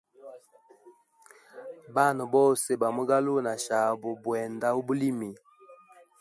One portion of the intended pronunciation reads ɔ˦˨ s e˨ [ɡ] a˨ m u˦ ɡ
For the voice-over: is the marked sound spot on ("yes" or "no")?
no